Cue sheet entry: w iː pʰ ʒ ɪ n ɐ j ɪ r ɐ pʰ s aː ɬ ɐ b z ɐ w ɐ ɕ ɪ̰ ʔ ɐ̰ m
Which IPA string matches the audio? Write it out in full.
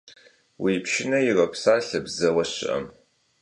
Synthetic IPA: w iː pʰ ʃ ɪ n ɐ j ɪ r ɐ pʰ s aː ɬ ɐ b z ɐ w ɐ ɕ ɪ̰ ʔ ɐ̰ m